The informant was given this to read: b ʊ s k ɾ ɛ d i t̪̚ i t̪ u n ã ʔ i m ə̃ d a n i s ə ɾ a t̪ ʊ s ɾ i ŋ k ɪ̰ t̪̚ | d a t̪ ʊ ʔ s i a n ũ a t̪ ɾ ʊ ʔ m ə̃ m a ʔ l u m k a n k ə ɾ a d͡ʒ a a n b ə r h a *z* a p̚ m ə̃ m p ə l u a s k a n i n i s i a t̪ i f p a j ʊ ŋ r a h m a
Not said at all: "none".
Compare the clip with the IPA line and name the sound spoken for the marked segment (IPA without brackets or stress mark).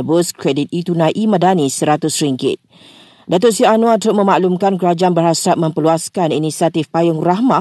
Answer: s